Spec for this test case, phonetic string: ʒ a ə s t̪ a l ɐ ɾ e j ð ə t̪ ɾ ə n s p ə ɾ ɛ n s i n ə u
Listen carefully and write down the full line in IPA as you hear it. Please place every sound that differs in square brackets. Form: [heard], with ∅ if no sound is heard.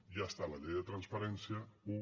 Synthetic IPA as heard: ʒ a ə s t̪ a l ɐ [ʎ] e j ð ə t̪ ɾ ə n s p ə ɾ ɛ n s i [∅] ə u